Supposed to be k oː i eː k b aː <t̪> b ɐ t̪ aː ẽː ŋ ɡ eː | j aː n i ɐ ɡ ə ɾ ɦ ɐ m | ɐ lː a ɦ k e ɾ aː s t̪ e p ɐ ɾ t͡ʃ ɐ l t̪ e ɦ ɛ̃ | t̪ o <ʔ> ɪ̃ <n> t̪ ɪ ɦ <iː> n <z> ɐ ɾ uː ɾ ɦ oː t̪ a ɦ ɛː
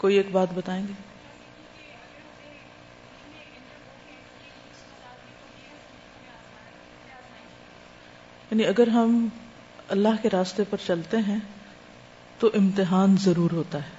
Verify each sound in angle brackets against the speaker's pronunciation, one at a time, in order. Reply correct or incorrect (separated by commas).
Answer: correct, correct, incorrect, incorrect, correct